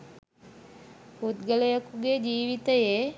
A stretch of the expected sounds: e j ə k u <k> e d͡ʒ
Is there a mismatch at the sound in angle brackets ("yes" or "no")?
yes